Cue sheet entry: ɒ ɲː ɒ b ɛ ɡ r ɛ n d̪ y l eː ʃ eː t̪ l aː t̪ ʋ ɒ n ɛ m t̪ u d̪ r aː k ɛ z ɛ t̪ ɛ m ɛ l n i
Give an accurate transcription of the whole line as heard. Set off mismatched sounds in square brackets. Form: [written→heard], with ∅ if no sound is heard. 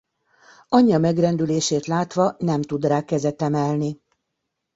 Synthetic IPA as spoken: ɒ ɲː ɒ [b→m] ɛ ɡ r ɛ n d̪ y l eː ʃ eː t̪ l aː t̪ ʋ ɒ n ɛ m t̪ u d̪ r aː k ɛ z ɛ t̪ ɛ m ɛ l n i